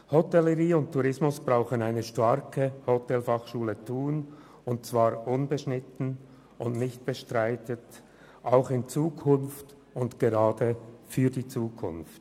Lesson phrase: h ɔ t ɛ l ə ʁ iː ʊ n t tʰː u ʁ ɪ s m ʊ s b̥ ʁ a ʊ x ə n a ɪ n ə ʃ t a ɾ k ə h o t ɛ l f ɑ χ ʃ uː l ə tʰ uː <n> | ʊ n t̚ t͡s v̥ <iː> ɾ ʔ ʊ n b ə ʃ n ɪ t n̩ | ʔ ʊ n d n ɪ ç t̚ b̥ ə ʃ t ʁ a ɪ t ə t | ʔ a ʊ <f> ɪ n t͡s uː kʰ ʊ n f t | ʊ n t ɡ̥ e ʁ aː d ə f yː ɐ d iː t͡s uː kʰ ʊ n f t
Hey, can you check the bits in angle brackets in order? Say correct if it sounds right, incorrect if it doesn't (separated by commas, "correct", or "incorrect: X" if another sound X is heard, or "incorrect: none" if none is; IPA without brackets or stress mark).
correct, incorrect: aː, incorrect: x